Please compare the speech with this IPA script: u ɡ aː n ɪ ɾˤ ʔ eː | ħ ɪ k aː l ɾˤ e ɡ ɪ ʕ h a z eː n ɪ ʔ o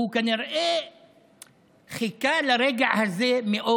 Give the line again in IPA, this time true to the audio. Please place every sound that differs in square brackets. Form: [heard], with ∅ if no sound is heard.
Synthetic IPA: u [k] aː n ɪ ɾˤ ʔ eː | [x] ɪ k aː l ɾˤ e ɡ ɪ ʕ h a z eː [m] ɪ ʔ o